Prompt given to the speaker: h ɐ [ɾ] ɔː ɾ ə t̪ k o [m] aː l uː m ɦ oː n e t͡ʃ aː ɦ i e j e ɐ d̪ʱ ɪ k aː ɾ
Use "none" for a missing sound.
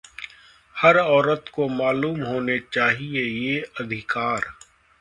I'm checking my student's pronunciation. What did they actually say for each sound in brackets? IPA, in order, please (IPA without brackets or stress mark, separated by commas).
ɾ, m